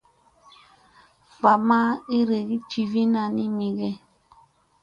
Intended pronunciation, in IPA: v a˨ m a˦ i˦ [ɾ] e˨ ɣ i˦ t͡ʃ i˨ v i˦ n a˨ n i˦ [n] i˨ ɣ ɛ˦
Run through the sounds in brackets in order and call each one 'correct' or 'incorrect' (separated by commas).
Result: correct, incorrect